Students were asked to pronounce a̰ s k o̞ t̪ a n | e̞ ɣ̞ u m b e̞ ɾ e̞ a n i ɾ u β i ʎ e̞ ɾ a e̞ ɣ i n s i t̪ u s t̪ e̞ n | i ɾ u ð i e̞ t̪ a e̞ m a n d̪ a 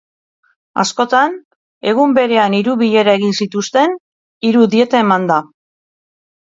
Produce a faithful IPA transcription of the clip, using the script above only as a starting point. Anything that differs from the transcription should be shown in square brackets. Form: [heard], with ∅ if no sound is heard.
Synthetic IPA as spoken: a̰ s k o̞ t̪ a n | e̞ ɣ̞ u m b e̞ ɾ e̞ a n i ɾ u β i ʎ e̞ ɾ a e̞ ɣ i n s i t̪ u s t̪ e̞ n | i ɾ u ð i e̞ t̪ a e̞ m a n d̪ a

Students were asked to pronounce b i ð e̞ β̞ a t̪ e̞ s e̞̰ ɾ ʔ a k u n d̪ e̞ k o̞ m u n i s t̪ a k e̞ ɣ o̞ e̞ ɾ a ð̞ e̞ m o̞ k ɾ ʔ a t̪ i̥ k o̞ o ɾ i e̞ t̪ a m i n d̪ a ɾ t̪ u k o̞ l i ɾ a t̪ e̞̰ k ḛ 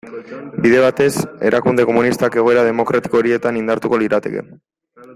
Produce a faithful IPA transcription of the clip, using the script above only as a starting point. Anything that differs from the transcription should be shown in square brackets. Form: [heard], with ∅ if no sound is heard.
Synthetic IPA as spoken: b i ð e̞ β̞ a t̪ e̞ s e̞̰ ɾ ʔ a k u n d̪ e̞ k o̞ m u n i s t̪ a k e̞ ɣ o̞ e̞ ɾ a ð̞ e̞ m o̞ k ɾ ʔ a t̪ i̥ k o̞ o ɾ i e̞ t̪ a [n] i n d̪ a ɾ t̪ u k o̞ l i ɾ a t̪ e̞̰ k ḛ

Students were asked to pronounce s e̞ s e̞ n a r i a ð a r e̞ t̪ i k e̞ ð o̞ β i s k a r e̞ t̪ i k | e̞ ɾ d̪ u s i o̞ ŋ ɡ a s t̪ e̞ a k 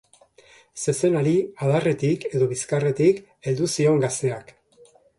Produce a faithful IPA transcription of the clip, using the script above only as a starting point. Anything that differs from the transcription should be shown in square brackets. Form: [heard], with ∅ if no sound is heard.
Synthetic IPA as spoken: s e̞ s e̞ n a [ɾ] i a ð a r e̞ t̪ i k e̞ ð o̞ β i s k a r e̞ t̪ i k | e̞ [l] d̪ u s i o̞ ŋ ɡ a s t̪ e̞ a k

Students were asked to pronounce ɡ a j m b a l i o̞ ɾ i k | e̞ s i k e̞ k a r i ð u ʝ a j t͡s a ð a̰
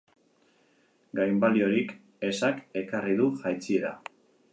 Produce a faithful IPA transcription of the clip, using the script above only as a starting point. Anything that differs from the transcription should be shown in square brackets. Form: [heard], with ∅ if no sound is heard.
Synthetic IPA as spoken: ɡ a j m b a l i o̞ ɾ i k | e̞ s [a] k e̞ k a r i ð u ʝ a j t͡s [i] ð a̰

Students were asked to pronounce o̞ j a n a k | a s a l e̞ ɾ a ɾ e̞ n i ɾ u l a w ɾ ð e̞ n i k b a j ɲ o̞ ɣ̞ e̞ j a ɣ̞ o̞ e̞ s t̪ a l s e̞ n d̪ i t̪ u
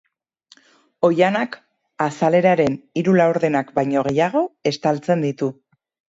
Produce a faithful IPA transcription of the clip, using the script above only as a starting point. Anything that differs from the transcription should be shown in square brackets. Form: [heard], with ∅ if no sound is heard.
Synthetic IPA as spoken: o̞ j a n a k | a s a l e̞ ɾ a ɾ e̞ n i ɾ u l a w ɾ ð e̞ n [a] k b a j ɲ o̞ ɣ̞ e̞ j a ɣ̞ o̞ e̞ s t̪ a l [t͡s] e̞ n d̪ i t̪ u

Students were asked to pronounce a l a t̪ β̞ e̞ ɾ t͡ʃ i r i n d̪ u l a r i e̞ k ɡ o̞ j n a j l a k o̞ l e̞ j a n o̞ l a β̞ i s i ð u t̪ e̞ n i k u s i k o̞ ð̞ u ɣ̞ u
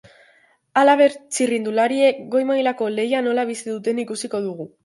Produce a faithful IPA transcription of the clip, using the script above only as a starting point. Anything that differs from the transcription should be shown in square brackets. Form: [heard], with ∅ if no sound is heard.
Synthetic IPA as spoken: a l a [∅] β̞ e̞ ɾ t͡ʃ i r i n d̪ u l a [ɾ] i e̞ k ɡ o̞ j [m] a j l a k o̞ l e̞ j a n o̞ l a β̞ i s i ð u t̪ e̞ n i k u s i k o̞ ð̞ u ɣ̞ u

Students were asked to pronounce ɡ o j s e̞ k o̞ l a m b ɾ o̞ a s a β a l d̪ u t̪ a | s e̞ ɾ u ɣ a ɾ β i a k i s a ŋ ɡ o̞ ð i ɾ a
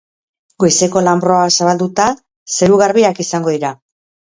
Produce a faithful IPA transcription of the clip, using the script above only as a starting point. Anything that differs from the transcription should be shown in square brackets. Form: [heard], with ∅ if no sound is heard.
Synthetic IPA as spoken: ɡ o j s e̞ k o̞ l a m b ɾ o̞ a s a β a l d̪ u t̪ a | s e̞ ɾ u ɣ a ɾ β i a k i s a ŋ ɡ o̞ ð i ɾ a

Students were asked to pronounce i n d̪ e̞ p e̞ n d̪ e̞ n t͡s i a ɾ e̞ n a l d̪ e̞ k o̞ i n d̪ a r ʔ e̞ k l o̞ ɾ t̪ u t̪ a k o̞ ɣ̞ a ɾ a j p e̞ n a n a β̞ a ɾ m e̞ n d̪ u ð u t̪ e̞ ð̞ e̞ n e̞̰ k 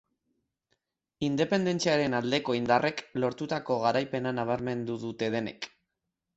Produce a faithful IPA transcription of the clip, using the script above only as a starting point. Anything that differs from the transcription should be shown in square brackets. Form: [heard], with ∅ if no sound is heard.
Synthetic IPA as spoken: i n d̪ e̞ p e̞ n d̪ e̞ n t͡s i a ɾ e̞ n a l d̪ e̞ k o̞ i n d̪ a r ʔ e̞ k l o̞ ɾ t̪ u t̪ a k o̞ ɣ̞ a ɾ a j p e̞ n a n a β̞ a ɾ m e̞ n d̪ u ð u t̪ e̞ ð̞ e̞ n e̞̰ k

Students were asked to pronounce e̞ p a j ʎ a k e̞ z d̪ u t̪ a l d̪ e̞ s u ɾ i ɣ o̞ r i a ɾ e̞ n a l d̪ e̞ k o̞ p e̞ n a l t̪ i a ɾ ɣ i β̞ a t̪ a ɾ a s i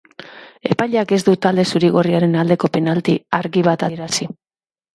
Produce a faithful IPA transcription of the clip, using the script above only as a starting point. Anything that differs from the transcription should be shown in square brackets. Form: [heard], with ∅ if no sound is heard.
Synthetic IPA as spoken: e̞ p a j ʎ a k e̞ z d̪ u t̪ a l d̪ e̞ s u ɾ i ɣ o̞ r i a ɾ e̞ n a l d̪ e̞ k o̞ p e̞ n a l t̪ i a ɾ ɣ i β̞ a t̪ a ɾ a s i

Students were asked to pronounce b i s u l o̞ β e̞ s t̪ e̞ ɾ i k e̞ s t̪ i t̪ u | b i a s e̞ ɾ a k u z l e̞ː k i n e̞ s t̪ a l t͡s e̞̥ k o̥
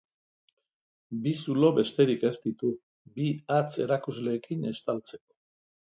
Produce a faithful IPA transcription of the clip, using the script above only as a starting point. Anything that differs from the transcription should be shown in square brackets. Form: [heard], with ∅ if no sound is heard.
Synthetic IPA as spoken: b i s u l o̞ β e̞ s t̪ e̞ ɾ i k e̞ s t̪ i t̪ u | b i a [t͡s] e̞ ɾ a k u z l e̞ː k i n e̞ s t̪ a l t͡s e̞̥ k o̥

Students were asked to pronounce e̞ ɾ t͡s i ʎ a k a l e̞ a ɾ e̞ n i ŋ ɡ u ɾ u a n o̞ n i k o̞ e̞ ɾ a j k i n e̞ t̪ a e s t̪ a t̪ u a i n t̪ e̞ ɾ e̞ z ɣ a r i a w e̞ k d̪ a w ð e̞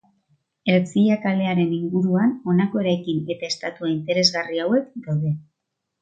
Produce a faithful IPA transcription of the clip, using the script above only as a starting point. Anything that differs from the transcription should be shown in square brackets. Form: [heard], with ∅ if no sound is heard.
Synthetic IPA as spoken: e̞ ɾ t͡s i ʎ a k a l e̞ a ɾ e̞ n i ŋ ɡ u ɾ u a n o̞ n [a] k o̞ e̞ ɾ a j k i n e̞ t̪ a e s t̪ a t̪ u a i n t̪ e̞ ɾ e̞ z ɣ a r i a w e̞ k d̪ a w ð e̞

